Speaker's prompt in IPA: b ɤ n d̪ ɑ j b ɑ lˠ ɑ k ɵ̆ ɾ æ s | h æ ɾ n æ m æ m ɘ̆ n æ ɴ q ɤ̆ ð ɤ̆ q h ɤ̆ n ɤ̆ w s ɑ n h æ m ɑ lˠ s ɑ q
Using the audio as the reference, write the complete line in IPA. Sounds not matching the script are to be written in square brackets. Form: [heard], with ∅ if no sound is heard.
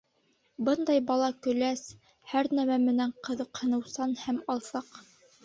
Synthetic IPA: b ɤ n d̪ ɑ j b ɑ lˠ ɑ k ɵ̆ [l] æ s | h æ ɾ n æ m æ m ɘ̆ n æ ɴ q ɤ̆ ð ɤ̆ q h ɤ̆ n ɤ̆ w s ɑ n h æ m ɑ lˠ s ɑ q